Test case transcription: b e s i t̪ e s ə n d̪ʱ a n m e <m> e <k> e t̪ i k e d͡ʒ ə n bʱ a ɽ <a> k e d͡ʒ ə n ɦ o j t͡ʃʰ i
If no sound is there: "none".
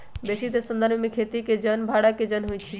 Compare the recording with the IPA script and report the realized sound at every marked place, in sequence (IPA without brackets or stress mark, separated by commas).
m, kʰ, a